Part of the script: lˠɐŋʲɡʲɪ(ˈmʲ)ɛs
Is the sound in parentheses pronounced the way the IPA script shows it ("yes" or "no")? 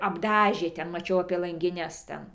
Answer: no